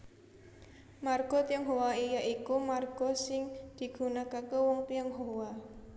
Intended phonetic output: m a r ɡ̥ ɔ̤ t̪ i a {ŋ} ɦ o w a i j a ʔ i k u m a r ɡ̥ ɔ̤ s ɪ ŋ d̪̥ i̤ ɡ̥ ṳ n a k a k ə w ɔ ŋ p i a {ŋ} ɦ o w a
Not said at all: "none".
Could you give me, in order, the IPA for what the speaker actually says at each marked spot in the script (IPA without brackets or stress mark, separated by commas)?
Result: ŋ, ŋ